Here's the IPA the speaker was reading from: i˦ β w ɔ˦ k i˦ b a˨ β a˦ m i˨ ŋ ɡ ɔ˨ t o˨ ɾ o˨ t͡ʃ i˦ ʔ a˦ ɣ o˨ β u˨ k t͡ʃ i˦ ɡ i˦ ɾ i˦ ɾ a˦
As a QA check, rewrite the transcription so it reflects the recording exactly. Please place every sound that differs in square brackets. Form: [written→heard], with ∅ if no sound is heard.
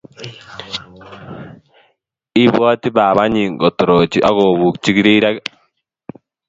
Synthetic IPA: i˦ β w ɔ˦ [k→t] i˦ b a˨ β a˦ [m→ɲ] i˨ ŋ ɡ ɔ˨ t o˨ ɾ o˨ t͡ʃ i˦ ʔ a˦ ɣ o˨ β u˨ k t͡ʃ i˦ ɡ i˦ ɾ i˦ ɾ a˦